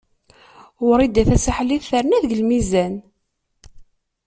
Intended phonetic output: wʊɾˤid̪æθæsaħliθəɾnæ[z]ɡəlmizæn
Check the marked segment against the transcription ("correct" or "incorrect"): incorrect